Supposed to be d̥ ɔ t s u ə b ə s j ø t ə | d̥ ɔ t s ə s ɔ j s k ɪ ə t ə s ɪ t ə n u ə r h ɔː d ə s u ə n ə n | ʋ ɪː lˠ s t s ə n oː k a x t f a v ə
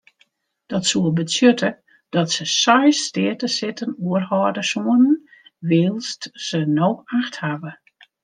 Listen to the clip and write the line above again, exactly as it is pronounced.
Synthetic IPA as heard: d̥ ɔ t s u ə b ə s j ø t ə | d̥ ɔ t s ə s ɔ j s t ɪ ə t ə s ɪ t ə n u ə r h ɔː d ə s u ə n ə n | ʋ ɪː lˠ s t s ə n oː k a x t h a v ə